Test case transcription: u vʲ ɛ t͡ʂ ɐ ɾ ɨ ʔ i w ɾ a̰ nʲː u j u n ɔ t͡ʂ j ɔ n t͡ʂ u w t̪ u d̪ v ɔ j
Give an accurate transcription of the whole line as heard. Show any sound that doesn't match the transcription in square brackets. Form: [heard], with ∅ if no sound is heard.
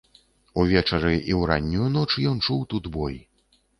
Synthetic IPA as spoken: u vʲ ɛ t͡ʂ ɐ ɾ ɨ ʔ i w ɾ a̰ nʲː u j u n ɔ t͡ʂ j ɔ n t͡ʂ u w t̪ u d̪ [b] ɔ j

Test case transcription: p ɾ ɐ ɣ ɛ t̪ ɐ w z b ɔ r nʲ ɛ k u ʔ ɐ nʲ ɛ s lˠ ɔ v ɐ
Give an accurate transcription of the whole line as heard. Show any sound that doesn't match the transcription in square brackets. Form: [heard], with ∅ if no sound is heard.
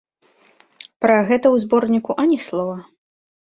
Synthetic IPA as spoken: p ɾ ɐ ɣ ɛ t̪ ɐ w z b ɔ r nʲ [i] k u ʔ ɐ nʲ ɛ s lˠ ɔ v ɐ

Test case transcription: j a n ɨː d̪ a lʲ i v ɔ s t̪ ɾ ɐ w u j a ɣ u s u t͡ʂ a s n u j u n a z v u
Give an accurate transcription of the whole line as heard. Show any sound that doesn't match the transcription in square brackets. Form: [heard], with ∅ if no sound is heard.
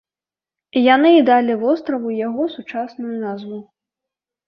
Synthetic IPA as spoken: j a n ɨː d̪ a lʲ i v ɔ s t̪ ɾ ɐ [v] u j a ɣ [ɔ] s u t͡ʂ a s n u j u n a z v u

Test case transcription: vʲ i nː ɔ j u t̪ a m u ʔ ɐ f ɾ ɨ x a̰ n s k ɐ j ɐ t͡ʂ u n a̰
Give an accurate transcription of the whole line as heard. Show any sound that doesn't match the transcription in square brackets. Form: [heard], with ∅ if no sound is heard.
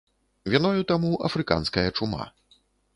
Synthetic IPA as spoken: vʲ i [n] ɔ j u t̪ a m u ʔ ɐ f ɾ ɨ [k] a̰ n s k ɐ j ɐ t͡ʂ u [m] a̰

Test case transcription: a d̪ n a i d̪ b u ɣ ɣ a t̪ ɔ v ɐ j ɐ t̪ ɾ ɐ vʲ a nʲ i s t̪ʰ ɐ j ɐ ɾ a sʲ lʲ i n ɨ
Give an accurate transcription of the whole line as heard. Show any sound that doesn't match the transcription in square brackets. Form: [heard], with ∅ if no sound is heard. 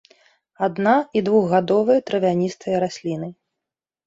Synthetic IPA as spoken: a d̪ n a i d̪ [v] u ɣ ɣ a [d̪] ɔ v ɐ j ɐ t̪ ɾ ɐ vʲ a nʲ i s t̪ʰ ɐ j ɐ ɾ a sʲ lʲ i n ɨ

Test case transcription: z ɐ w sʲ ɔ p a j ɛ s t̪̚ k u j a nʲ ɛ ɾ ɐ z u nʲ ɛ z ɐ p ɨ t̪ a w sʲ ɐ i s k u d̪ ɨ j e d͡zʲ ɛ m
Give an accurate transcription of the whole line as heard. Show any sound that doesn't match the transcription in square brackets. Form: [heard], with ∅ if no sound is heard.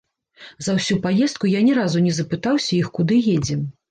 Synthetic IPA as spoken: z ɐ w sʲ [u] p a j ɛ s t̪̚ k u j a nʲ ɛ ɾ [a] z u nʲ ɛ z ɐ p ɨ t̪ a w sʲ ɐ i [x] k u d̪ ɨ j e d͡zʲ ɛ m

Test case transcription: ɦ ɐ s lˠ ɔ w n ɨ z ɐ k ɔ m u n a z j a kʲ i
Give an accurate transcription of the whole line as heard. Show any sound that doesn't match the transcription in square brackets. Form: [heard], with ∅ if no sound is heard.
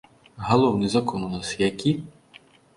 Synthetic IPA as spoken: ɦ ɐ [∅] lˠ ɔ w n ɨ z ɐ k ɔ [n] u n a [s] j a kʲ i

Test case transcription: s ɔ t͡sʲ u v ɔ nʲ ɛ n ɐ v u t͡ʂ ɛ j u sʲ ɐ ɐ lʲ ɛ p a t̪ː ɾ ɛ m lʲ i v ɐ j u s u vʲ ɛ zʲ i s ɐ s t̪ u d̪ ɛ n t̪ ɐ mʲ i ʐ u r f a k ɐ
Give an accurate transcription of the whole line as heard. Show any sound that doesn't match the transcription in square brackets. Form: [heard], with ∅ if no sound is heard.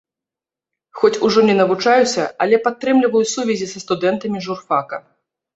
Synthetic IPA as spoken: [x] ɔ t͡sʲ u [ʐ] ɔ nʲ ɛ n ɐ v u t͡ʂ [a] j u sʲ ɐ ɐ lʲ ɛ p a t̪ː ɾ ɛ m lʲ i v ɐ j u s u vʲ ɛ zʲ i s ɐ s t̪ u d̪ ɛ n t̪ ɐ mʲ i ʐ u r f a k ɐ

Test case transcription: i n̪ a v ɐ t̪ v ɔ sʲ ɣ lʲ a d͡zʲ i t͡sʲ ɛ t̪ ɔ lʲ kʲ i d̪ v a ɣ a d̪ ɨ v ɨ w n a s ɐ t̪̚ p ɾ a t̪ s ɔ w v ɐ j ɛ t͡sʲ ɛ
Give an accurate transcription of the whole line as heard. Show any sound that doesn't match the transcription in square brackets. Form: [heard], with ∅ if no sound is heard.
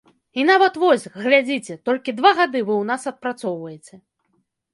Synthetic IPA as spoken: i n̪ a v ɐ t̪ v ɔ sʲ ɣ lʲ a d͡zʲ i t͡sʲ ɛ t̪ ɔ lʲ kʲ i d̪ v a ɣ a d̪ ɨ v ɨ w n a s ɐ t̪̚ p ɾ a t̪ s ɔ w v ɐ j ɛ t͡sʲ ɛ

